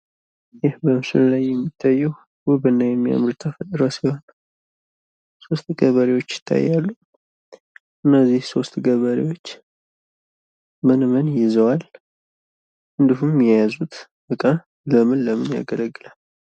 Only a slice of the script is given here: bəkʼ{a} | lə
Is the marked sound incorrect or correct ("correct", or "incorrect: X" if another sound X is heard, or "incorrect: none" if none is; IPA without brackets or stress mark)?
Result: correct